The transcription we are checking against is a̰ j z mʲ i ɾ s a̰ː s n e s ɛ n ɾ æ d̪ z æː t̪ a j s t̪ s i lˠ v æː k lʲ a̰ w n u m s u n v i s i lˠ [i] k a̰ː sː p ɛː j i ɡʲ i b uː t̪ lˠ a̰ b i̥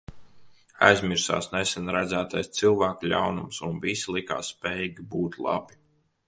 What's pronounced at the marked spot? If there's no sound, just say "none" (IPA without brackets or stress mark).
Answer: i